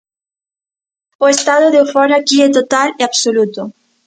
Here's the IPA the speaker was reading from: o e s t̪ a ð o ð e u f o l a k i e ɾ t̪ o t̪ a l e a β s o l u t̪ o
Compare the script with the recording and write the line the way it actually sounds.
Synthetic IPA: o e s t̪ a ð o ð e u f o ɾ a k i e t̪ o t̪ a l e a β s o l u t̪ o